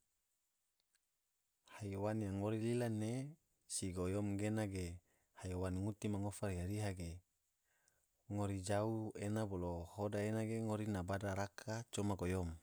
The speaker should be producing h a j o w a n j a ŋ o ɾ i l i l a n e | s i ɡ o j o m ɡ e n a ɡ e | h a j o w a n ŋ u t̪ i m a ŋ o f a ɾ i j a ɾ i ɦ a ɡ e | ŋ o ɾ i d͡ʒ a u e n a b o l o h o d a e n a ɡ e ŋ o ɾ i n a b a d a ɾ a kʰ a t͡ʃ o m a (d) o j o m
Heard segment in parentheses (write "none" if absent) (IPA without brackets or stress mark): ɡ